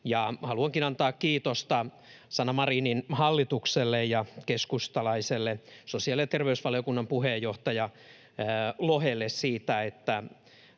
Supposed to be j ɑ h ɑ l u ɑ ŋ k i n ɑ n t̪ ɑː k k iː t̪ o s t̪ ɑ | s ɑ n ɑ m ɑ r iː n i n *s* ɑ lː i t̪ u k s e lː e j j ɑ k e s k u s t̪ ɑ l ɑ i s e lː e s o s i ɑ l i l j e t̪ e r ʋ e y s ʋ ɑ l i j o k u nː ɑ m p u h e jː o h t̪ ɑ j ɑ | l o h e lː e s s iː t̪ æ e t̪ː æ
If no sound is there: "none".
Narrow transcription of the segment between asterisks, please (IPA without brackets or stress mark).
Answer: h